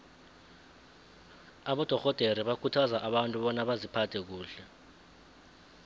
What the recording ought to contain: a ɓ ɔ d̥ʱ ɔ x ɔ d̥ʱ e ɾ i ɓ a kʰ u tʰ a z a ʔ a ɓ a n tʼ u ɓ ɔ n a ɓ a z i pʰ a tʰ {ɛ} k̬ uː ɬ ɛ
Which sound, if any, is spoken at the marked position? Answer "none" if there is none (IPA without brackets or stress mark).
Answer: ɛ